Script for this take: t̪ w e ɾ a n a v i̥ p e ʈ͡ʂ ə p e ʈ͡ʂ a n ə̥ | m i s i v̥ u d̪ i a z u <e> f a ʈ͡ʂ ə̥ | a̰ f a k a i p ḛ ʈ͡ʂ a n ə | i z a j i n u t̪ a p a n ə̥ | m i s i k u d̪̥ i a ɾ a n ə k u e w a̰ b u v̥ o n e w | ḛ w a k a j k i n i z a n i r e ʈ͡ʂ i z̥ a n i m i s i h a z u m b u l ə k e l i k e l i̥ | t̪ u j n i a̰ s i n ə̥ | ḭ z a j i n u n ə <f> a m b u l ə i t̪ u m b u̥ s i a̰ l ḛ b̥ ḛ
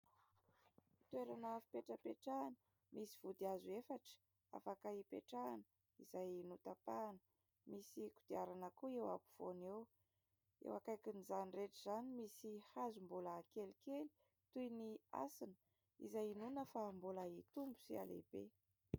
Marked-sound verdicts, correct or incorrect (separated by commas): correct, correct